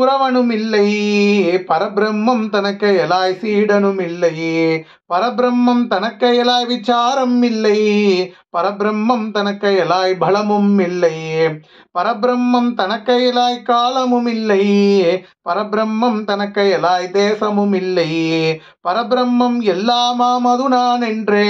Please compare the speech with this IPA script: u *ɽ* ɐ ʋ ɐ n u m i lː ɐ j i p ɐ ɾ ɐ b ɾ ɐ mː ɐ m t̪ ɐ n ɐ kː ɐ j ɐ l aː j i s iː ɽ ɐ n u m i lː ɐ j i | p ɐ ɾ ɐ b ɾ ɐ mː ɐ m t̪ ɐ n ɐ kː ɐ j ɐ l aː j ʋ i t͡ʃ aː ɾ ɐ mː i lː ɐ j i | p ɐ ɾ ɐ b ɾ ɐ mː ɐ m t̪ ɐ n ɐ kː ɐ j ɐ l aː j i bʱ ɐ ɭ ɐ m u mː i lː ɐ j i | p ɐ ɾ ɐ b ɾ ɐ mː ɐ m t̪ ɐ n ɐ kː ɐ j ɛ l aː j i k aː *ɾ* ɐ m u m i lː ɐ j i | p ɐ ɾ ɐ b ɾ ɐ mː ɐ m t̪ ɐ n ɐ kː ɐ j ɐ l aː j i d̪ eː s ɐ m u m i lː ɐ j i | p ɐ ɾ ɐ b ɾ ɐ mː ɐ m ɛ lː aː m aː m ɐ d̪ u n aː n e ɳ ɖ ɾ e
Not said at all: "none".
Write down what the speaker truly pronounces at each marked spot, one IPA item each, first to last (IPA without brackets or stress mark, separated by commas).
ɾ, l